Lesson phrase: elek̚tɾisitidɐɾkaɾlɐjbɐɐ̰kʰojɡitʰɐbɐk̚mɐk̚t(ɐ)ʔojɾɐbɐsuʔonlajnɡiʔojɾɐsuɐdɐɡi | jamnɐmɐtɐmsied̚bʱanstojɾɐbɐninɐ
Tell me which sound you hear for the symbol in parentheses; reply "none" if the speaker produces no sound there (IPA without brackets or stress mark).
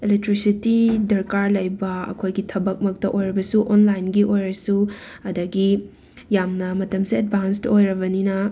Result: ɐ